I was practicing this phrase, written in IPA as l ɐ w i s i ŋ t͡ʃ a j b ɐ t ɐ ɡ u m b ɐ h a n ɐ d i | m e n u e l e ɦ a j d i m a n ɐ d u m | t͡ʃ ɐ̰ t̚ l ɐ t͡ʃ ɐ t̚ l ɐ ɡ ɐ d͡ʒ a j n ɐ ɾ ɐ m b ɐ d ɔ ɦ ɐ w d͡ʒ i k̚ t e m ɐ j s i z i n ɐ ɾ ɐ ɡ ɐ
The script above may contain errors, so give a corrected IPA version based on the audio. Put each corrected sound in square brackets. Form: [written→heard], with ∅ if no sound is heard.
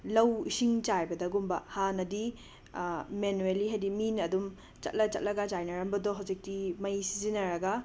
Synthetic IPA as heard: l ɐ w i s i ŋ t͡ʃ a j b ɐ [t→d] ɐ ɡ u m b ɐ h a n ɐ d i | m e n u e l [e→i] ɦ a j d i m [a→i] n ɐ d u m | t͡ʃ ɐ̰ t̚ l ɐ t͡ʃ ɐ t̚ l ɐ ɡ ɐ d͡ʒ a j n ɐ ɾ ɐ m b ɐ d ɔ ɦ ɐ w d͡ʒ i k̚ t [e→i] m ɐ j s i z i n ɐ ɾ ɐ ɡ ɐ